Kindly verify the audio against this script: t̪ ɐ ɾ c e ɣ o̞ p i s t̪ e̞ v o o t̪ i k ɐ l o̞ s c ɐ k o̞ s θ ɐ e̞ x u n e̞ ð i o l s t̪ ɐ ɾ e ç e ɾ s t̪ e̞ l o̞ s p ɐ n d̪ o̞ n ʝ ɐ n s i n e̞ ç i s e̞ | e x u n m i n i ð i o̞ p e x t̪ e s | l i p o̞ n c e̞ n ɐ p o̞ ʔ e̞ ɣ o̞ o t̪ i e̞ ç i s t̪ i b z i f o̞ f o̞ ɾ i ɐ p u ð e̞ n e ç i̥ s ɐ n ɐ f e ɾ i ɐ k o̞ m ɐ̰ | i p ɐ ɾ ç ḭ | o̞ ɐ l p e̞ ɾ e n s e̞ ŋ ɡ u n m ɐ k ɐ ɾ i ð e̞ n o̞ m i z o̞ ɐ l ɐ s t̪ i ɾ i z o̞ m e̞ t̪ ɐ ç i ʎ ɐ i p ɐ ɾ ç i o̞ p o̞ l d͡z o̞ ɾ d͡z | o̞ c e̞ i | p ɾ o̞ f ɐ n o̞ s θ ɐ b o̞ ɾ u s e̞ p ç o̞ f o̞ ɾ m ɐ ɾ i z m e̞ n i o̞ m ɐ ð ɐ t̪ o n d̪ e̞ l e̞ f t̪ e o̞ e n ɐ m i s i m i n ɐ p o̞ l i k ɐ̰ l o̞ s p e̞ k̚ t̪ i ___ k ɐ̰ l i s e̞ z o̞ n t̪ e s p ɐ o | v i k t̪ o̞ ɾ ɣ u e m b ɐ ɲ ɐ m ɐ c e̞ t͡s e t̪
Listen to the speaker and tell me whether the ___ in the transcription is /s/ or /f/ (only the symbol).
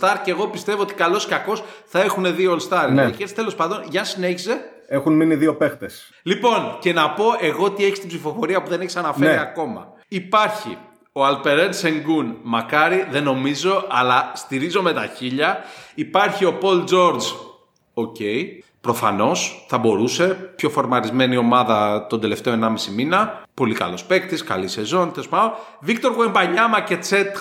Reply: s